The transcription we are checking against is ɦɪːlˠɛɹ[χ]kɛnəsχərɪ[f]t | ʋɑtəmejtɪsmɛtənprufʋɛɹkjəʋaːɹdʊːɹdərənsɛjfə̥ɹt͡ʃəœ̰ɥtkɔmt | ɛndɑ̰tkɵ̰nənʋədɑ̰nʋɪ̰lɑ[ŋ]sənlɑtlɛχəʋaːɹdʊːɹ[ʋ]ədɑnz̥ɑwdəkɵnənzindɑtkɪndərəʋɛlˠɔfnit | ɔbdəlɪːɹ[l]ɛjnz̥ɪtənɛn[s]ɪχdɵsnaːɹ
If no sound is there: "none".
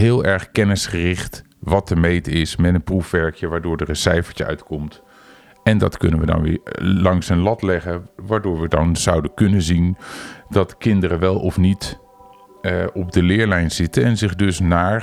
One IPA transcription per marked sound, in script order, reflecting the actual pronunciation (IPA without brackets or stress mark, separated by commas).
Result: χ, χ, ŋ, ʋ, l, z